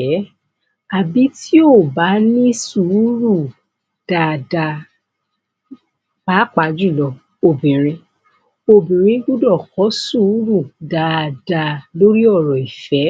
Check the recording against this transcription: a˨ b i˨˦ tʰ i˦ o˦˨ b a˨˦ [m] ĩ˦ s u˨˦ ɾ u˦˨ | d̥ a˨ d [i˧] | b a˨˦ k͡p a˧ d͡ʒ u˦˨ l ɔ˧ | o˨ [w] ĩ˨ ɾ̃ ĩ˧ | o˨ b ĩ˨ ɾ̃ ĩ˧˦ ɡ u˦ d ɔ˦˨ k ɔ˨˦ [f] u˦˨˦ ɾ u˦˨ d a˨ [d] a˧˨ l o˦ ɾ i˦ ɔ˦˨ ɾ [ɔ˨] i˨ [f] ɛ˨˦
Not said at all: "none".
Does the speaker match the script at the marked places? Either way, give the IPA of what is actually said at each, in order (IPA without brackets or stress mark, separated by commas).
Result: n, a˧, b, s, d, ɔ˨, f